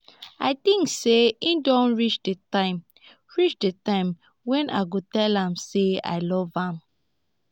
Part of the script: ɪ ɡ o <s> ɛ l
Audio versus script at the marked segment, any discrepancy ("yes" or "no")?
yes